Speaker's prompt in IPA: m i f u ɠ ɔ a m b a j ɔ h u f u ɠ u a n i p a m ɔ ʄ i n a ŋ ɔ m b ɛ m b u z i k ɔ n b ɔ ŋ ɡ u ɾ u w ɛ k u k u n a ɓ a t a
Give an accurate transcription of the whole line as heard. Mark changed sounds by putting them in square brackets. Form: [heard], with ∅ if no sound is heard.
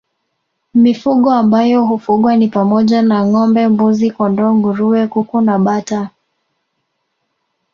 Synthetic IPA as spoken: m i f u ɠ ɔ a m b a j ɔ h u f u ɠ [w] a n i p a m ɔ ʄ [a] n a ŋ ɔ m b ɛ m b u z i k ɔ n [d] ɔ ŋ ɡ u ɾ u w ɛ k u k u n a ɓ a t a

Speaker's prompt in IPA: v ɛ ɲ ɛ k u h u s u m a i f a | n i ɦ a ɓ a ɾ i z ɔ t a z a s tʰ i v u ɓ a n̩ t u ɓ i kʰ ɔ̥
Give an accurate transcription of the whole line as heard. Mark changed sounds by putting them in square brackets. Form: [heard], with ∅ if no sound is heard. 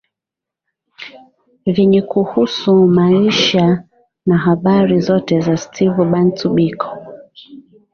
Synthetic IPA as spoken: v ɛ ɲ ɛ k u h u s u m a i [ʃ] a | n [a] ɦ a ɓ a ɾ i z ɔ t [ɛ] z a s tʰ i v u ɓ a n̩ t u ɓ i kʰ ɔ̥

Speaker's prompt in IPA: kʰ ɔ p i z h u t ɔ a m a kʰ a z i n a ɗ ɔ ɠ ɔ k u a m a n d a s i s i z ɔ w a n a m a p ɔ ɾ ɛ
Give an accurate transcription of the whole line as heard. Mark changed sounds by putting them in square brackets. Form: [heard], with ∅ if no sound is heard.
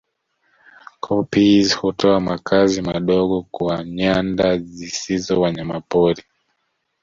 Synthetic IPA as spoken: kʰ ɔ p i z h u t ɔ a m a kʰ a z i [m] a ɗ ɔ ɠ ɔ k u a [ɲ] a n d a [z] i s i z ɔ w a [ɲ] a m a p ɔ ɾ [i]

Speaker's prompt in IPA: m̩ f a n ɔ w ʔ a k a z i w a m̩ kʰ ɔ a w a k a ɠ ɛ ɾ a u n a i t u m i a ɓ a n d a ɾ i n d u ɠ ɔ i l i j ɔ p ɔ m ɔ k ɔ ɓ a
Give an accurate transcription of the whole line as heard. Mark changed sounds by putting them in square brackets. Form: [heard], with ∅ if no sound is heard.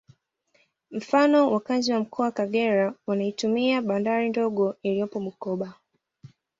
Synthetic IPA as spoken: m̩ f a n ɔ w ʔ a k a z i w a m̩ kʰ ɔ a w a k a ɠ ɛ ɾ a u n a i t u m i a ɓ a n d a ɾ i n d [ɔ] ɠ ɔ i l i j ɔ p ɔ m [u] k ɔ ɓ a

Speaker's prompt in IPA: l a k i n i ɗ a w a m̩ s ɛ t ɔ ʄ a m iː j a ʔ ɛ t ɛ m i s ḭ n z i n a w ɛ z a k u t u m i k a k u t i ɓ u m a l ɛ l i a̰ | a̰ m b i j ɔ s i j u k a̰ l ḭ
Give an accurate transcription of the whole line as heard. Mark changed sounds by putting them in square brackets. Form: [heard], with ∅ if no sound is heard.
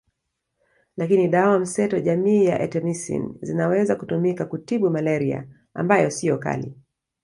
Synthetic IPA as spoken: l a k i n i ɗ a w a m̩ s ɛ t ɔ ʄ a m iː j a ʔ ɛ t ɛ m i s ḭ n z i n a w ɛ z a k u t u m i k a k u t i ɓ u m a l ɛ [ɾ] i a̰ | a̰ m b [a] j ɔ s i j [ɔ] k a̰ l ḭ

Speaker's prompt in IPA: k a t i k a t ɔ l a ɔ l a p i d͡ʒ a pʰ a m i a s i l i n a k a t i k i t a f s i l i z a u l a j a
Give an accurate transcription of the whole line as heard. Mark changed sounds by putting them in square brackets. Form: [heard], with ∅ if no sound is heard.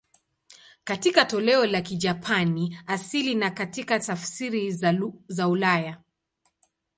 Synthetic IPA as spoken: k a t i k a t ɔ l [ɛ] ɔ l a [k] i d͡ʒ a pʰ a [n] i a s i l i n a k a t i k [a] t a f s i [ɾ] i z a u l a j a

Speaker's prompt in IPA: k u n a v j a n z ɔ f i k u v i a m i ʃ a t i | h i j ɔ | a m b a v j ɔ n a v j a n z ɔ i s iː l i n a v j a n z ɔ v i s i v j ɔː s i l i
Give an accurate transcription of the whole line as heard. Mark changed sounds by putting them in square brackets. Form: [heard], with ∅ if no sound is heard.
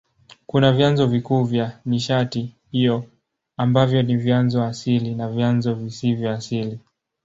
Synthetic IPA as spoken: k u n a v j a n z ɔ [v] i k [uː] v [j] a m i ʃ a t i | h i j ɔ | a m b a v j ɔ n [i] v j a n z ɔ [a] s [i] l i n a v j a n z ɔ v i s i v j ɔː s i l i

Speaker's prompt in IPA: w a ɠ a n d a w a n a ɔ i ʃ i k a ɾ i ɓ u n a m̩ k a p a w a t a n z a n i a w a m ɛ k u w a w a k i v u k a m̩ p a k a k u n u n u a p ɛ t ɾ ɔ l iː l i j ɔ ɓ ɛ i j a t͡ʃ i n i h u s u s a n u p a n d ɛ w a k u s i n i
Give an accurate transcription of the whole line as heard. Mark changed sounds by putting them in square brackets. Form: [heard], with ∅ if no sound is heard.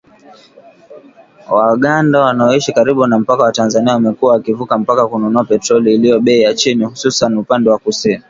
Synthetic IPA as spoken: w a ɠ a n d a w a n a ɔ i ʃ i k a ɾ i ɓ u n a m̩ [p] a [k] a w a t a n z a n i a w a m ɛ k u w a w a k i v u k a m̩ p a k a k u n u n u a p ɛ t ɾ ɔ l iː l i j ɔ ɓ ɛ i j a t͡ʃ i n i h u s u s a n u p a n d ɛ w a k u s i n i

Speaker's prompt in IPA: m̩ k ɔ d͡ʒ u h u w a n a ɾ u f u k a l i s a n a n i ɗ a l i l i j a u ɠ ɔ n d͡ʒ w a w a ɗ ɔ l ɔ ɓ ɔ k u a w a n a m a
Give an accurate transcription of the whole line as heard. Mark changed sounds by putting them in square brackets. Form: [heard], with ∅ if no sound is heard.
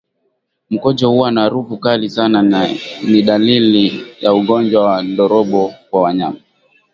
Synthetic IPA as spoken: m̩ k ɔ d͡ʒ [ɔ] h u w a n a ɾ u f u k a l i s a n a n i ɗ a l i l i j a u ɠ ɔ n d͡ʒ w a w a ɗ ɔ [ɾ] ɔ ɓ ɔ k [w] a w a [ɲ] a m a

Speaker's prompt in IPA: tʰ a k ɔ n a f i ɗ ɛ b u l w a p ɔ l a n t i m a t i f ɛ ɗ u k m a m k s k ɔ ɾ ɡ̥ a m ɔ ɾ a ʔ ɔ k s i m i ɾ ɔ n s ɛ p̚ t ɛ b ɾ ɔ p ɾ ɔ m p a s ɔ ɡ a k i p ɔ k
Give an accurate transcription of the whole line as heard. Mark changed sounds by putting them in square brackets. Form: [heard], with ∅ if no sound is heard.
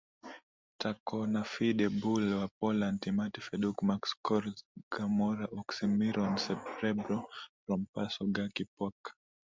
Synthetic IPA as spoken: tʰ a k ɔ n a f i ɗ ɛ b u l w a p ɔ l a n t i m a t i f ɛ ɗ u k m a [∅] k s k ɔ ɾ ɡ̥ a m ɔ ɾ a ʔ ɔ k s i m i ɾ ɔ n s ɛ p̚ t ɛ b ɾ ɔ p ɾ ɔ m p a s ɔ ɡ a k i p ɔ k

